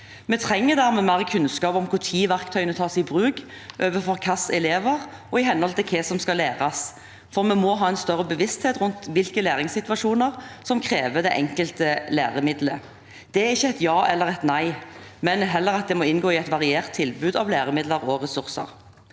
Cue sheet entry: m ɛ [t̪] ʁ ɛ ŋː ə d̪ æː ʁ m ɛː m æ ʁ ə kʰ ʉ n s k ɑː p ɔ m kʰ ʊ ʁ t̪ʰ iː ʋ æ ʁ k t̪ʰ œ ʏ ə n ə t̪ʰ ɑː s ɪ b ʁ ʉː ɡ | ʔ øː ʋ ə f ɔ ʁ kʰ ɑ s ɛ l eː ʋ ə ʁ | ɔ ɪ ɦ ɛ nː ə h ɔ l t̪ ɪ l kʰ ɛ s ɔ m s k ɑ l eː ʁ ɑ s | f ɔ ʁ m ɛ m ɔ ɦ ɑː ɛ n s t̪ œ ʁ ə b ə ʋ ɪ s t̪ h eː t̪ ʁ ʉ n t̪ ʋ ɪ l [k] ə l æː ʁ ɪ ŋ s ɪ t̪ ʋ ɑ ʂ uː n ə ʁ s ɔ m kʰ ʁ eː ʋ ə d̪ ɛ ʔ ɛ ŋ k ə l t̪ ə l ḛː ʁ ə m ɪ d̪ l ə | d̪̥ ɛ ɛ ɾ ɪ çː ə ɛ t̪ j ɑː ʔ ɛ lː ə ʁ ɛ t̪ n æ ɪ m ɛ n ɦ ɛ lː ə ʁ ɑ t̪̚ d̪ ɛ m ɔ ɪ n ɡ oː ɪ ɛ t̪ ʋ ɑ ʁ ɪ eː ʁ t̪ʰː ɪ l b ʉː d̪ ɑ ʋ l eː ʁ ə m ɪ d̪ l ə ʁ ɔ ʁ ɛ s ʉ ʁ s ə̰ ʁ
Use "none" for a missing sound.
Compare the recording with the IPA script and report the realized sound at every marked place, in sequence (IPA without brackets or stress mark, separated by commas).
t̪ʰ, k